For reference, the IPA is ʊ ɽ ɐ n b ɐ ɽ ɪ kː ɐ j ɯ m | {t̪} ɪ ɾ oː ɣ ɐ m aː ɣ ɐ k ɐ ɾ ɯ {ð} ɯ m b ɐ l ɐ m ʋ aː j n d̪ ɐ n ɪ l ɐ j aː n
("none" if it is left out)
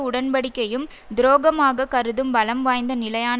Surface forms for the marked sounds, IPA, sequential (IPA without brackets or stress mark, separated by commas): d̪, ð